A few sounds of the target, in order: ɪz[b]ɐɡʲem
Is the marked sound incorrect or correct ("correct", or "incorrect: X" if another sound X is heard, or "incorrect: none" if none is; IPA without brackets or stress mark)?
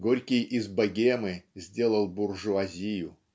correct